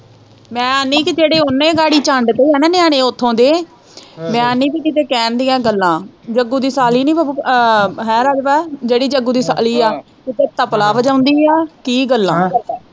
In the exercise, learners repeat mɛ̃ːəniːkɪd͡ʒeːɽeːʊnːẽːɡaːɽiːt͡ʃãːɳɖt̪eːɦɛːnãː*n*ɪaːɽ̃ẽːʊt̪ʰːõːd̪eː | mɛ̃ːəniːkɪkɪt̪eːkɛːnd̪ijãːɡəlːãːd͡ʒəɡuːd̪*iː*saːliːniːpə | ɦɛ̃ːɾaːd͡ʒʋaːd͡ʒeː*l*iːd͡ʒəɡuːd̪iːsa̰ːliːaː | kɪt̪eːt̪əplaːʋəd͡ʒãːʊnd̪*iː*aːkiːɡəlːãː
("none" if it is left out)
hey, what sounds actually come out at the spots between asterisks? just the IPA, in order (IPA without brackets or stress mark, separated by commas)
n, iː, ɽ, iː